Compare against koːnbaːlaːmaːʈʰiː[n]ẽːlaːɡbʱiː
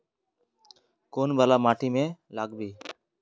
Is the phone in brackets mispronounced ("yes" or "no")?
yes